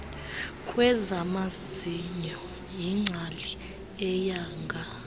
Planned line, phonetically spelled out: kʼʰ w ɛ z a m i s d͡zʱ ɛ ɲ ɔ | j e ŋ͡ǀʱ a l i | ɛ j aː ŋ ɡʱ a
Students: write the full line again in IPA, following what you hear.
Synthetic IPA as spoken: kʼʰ w ɛ z a m a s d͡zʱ i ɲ ɔ | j i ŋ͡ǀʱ a l i | ɛ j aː ŋ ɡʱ a

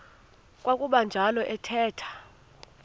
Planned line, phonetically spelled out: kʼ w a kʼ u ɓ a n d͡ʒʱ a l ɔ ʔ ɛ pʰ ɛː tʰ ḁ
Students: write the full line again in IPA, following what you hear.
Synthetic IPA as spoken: kʼ w a kʼ u ɓ a n d͡ʒʱ a l ɔ ʔ ɛ tʰ ɛː tʰ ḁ

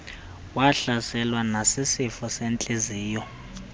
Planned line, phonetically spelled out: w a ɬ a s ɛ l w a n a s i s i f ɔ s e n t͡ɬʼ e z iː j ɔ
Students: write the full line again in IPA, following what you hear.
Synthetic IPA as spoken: w a ɬ a s ɛ l w a n a s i s i f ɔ s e n t͡ɬʼ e z iː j ɔ

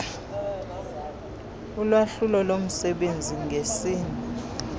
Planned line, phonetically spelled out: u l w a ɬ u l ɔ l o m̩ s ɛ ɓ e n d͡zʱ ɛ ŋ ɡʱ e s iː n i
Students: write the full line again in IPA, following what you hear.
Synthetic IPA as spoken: u l w a ɬ u l ɔ l o m̩ s ɛ ɓ e n d͡zʱ i ŋ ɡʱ e s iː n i

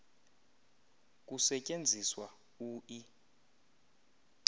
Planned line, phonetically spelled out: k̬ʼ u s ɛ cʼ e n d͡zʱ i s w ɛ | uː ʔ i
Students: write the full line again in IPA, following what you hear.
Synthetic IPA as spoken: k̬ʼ u s ɛ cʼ e n d͡zʱ i s w a | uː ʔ i

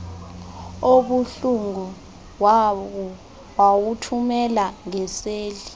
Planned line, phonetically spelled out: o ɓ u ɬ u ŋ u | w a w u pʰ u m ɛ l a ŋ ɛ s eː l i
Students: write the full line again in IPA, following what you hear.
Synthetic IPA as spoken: o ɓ u ɬ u ŋ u | w a w u tʰ u m ɛ l a ŋ ɛ s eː l i

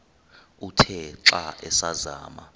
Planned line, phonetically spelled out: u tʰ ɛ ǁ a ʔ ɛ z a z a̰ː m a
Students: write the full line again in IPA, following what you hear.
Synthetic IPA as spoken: u tʰ ɛ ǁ a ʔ ɛ s a z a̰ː m a

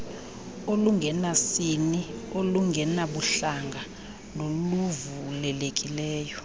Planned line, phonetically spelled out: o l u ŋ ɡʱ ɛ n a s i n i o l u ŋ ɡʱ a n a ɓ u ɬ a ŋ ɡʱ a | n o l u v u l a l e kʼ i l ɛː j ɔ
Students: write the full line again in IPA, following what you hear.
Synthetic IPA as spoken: o l u ŋ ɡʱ ɛ n a s i n i o l u ŋ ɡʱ ɛ n a ɓ u ɬ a ŋ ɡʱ a | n o l u v u l ɛ l e kʼ i l ɛː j ɔ

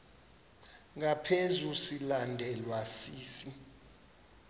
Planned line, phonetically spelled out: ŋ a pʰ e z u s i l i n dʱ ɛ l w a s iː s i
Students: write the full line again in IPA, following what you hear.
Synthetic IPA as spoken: ŋ a pʰ e z u s i l a n dʱ ɛ l w a s iː s i

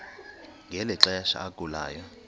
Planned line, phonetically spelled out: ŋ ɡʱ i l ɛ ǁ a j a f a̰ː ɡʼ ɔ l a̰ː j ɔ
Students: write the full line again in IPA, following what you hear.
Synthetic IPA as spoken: ŋ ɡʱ ɛ l ɛ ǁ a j a ʃ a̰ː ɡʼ u l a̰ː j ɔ

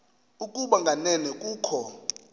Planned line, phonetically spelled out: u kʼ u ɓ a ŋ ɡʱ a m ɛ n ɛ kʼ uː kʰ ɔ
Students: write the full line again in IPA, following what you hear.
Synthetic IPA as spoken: u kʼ u ɓ a ŋ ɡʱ a n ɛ n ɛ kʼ uː kʰ ɔ

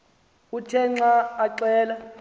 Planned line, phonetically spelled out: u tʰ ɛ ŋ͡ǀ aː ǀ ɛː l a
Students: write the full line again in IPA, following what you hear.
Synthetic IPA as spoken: u tʰ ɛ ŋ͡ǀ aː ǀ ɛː l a

